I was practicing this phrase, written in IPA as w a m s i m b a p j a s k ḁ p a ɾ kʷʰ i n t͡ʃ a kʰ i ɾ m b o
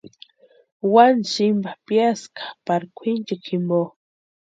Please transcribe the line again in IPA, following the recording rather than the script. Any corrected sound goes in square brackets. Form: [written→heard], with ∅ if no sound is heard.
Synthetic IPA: w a [m→n] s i m b a p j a s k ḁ p a ɾ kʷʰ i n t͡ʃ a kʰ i [ɾ→∅] m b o